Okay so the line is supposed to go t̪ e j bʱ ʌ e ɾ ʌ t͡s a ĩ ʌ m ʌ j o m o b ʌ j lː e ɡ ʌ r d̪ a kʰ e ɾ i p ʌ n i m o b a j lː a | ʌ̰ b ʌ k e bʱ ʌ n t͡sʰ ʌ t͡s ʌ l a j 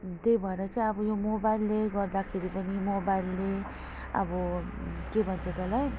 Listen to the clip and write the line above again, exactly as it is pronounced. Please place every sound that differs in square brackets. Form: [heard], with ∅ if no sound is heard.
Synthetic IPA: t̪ e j bʱ ʌ e ɾ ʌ t͡s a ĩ ʌ [b] ʌ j o m o b [a] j lː e ɡ ʌ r d̪ a kʰ e ɾ i p ʌ n i m o b a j lː [e] | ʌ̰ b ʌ k e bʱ ʌ n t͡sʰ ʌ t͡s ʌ l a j

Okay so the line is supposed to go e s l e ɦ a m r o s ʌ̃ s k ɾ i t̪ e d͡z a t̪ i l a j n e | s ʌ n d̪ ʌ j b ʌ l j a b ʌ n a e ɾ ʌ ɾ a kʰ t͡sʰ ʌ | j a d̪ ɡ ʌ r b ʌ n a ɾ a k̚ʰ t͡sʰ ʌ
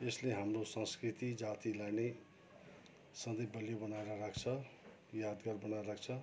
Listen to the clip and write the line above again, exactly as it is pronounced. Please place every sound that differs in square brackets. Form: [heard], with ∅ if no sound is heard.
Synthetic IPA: e s l e ɦ a m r o s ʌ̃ s k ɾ i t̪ [i] d͡z a t̪ i l a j n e | s ʌ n d̪ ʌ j b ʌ l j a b ʌ n a e ɾ ʌ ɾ a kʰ t͡sʰ ʌ | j a d̪ ɡ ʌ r b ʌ n a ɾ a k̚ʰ t͡sʰ ʌ

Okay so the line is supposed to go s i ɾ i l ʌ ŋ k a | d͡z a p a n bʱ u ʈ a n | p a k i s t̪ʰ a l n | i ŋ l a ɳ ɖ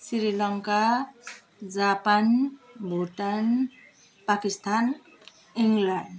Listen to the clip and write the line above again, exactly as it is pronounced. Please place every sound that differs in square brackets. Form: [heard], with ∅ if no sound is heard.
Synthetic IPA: s i ɾ i l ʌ ŋ k a | d͡z a p a n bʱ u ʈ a n | p a k i s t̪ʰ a [∅] n | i ŋ l a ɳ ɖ

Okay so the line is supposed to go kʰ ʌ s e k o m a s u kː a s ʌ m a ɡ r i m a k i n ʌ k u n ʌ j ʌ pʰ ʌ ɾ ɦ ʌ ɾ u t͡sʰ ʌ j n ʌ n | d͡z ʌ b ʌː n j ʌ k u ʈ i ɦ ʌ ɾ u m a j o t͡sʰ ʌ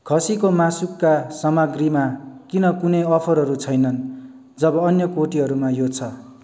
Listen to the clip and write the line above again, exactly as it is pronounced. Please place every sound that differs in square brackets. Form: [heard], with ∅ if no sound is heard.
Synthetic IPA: kʰ ʌ s [i] k o m a s u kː a s ʌ m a ɡ r i m a k i n ʌ k u n ʌ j ʌ pʰ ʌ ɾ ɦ ʌ ɾ u t͡sʰ ʌ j n ʌ n | d͡z ʌ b ʌː n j ʌ k [o] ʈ i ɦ ʌ ɾ u m a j o t͡sʰ ʌ

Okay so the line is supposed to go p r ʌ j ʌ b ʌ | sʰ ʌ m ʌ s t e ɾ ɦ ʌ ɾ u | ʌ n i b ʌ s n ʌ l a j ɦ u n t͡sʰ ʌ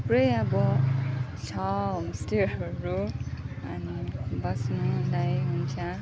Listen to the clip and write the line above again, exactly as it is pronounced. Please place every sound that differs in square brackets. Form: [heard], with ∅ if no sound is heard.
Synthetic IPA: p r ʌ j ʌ b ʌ | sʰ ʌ m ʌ s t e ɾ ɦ ʌ ɾ u | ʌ n i b ʌ s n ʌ l a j ɦ u n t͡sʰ ʌ

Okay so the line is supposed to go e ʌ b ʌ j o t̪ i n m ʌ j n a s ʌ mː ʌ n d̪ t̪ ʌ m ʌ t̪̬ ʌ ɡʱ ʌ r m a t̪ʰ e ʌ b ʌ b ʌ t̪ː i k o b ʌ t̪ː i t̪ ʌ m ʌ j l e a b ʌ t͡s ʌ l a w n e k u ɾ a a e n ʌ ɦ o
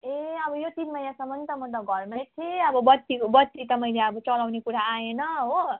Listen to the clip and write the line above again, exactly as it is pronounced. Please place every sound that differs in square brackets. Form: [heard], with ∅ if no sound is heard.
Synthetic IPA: e ʌ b ʌ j o t̪ i n m ʌ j n a s ʌ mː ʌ n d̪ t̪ ʌ m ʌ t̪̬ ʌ ɡʱ ʌ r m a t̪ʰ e ʌ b ʌ b ʌ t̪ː i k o b ʌ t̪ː i t̪ ʌ m ʌ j l e [ʌ] b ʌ t͡s ʌ l a w n e k u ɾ a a e n ʌ ɦ o

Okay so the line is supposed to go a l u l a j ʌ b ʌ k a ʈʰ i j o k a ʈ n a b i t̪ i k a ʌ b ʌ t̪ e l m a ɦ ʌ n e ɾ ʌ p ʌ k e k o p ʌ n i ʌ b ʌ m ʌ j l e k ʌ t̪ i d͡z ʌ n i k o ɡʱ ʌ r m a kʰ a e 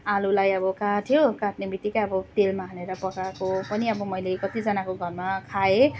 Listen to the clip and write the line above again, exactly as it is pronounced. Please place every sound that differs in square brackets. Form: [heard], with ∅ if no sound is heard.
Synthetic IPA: a l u l a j ʌ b ʌ k a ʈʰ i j o k a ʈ n [e] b i t̪ i k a ʌ b ʌ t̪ e l m a ɦ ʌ n e ɾ ʌ p ʌ k [a] k o p ʌ n i ʌ b ʌ m ʌ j l e k ʌ t̪ i d͡z ʌ n [a] k o ɡʱ ʌ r m a kʰ a e

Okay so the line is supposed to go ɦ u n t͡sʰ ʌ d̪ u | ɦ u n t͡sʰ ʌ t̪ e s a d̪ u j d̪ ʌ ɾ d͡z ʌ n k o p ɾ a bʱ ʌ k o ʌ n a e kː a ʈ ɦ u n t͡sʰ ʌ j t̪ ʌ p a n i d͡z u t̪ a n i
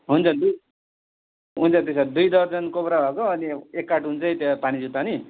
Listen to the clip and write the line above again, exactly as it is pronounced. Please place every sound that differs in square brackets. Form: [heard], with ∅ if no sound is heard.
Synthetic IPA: ɦ u n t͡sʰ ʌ d̪ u | ɦ u n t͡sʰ ʌ t̪ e s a d̪ u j d̪ ʌ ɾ d͡z ʌ n k o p ɾ a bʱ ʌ k o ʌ n [i] e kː a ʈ ɦ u n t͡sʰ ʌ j t̪ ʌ p a n i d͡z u t̪ a n i

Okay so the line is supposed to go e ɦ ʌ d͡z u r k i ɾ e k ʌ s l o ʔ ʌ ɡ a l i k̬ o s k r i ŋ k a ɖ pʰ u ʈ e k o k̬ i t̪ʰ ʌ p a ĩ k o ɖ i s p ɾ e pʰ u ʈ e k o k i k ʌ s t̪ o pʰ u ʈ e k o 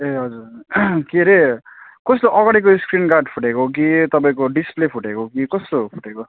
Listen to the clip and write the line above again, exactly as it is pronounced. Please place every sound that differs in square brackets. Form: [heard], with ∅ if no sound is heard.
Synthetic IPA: e ɦ ʌ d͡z u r k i ɾ e k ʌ s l o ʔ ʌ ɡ a [ɽ] i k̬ o s k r i [n] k a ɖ pʰ u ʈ e k o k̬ i [t̪] ʌ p a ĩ k o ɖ i s p [l] e pʰ u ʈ e k o k i k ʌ s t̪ o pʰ u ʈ e k o

